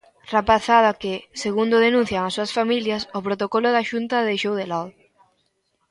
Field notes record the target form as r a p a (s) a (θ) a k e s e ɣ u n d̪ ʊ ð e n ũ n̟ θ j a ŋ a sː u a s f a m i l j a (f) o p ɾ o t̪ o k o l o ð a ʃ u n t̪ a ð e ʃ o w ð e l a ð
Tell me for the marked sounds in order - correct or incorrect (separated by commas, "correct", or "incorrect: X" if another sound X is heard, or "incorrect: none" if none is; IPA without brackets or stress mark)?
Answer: incorrect: θ, incorrect: ð, incorrect: s